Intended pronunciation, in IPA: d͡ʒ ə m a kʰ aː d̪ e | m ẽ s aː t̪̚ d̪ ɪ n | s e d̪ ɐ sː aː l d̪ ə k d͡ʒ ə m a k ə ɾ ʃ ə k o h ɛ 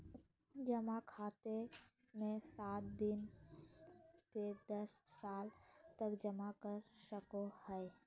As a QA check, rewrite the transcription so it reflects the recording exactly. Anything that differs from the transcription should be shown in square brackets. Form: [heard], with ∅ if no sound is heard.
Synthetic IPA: d͡ʒ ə m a kʰ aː [t̪] e | m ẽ s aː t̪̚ d̪ ɪ n | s e d̪ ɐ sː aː l [t̪] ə k d͡ʒ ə m a k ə ɾ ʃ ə k o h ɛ

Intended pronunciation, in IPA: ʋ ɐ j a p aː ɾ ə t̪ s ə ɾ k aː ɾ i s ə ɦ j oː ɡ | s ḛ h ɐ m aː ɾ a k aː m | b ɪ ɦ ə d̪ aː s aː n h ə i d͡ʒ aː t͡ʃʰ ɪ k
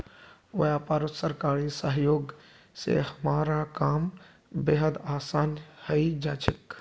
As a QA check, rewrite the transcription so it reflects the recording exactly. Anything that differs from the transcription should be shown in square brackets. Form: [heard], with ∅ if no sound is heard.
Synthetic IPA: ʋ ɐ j a p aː ɾ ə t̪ s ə ɾ k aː ɾ i s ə ɦ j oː ɡ | s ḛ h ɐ m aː ɾ a k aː m | b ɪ ɦ ə d̪ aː s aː n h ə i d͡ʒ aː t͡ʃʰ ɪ k

